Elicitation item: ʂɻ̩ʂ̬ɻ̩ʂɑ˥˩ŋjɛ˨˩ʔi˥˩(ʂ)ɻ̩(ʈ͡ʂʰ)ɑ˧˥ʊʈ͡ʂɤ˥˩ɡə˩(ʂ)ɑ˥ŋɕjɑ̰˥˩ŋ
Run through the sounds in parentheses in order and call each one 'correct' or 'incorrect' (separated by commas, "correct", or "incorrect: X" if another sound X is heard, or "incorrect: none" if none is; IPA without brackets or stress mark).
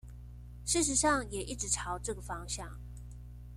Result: incorrect: ʈ͡ʂ, correct, incorrect: f